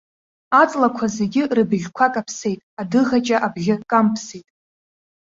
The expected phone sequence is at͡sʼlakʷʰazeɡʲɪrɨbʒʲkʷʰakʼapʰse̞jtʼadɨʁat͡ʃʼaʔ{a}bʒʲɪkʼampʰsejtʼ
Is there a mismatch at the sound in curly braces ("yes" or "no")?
no